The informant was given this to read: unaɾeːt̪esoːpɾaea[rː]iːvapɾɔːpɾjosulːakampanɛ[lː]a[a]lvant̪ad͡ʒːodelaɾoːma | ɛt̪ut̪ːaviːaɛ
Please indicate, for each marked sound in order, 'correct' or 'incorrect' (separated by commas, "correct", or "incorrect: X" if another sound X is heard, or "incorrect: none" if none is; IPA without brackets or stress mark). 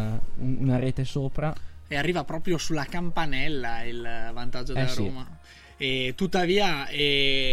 correct, correct, incorrect: i